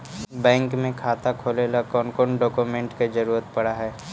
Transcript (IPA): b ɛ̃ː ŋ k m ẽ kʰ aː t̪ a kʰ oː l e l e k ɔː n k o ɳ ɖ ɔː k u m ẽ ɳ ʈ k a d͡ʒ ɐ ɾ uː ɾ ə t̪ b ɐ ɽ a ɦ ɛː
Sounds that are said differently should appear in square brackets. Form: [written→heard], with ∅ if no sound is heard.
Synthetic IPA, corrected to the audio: b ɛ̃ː ŋ k m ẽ kʰ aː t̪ a kʰ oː l e l [e→a] k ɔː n k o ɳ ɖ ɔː k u m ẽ ɳ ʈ k [a→e] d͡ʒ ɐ ɾ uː ɾ ə t̪ [b→p] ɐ ɽ a ɦ ɛː